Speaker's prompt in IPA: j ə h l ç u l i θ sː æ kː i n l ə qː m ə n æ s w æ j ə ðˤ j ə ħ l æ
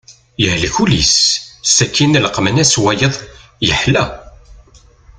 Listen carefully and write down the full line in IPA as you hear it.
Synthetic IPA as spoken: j ə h l ç u l i s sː æ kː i n l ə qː m ə n æ s w æ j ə ðˤ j ə ħ l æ